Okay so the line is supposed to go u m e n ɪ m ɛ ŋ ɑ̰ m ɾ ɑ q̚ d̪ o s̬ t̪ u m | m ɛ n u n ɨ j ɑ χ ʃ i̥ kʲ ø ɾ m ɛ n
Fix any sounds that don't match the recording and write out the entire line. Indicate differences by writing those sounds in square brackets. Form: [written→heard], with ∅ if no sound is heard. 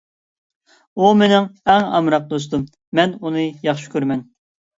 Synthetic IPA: u m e n ɪ [m→ŋ] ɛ ŋ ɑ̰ m ɾ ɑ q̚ d̪ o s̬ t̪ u m | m ɛ n u n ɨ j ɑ χ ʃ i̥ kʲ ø ɾ m ɛ n